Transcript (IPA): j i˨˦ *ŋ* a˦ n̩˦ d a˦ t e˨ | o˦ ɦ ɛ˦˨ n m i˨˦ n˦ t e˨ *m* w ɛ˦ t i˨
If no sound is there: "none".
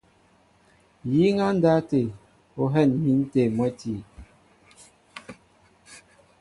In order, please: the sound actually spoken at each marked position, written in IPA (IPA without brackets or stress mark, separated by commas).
ŋ, m